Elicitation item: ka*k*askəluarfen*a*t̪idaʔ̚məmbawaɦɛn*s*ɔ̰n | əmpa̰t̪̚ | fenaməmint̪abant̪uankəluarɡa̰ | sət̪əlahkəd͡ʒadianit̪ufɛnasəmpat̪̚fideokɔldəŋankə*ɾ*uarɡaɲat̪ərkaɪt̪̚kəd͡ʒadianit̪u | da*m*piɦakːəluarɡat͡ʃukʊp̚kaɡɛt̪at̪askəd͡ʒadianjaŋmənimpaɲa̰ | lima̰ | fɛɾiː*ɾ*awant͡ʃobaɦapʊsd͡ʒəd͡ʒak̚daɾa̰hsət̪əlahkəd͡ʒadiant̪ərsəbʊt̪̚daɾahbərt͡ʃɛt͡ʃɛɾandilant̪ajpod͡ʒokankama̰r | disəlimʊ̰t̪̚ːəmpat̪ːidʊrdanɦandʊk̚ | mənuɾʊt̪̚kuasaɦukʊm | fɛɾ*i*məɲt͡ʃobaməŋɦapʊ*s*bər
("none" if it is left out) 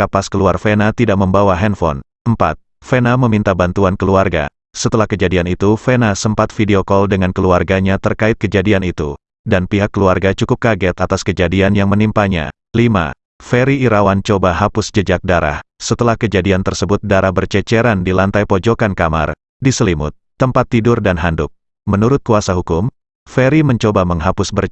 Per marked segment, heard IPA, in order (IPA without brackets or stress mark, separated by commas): p, a, f, l, n, ɾ, i, s